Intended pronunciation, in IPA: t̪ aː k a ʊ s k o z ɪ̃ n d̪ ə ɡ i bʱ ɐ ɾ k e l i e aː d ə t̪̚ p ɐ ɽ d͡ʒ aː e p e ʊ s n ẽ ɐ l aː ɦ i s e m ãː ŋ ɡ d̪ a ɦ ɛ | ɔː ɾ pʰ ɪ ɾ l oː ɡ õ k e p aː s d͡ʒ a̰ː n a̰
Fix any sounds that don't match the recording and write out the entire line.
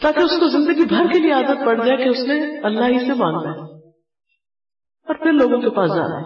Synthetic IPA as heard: t̪ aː k e ʊ s k o z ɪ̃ n d̪ ə ɡ i bʱ ɐ ɾ k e l i e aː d ə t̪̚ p ɐ ɽ d͡ʒ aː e k e ʊ s n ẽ ɐ lː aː ɦ i s e m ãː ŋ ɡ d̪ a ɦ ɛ | ɔː ɾ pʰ ɪ ɾ l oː ɡ õ k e p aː s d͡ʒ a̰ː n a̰